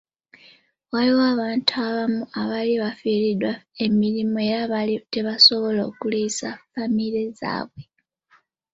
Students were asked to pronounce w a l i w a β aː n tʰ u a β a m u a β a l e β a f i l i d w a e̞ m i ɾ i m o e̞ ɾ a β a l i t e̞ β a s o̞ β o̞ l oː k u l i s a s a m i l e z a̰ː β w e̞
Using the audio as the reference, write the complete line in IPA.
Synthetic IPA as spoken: w a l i w a β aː n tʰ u a β a m u a β a l i β a f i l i d w a e̞ m i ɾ i m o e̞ ɾ a β a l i t e̞ β a s o̞ β o̞ l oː k u l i s a f a m i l e z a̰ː β w e̞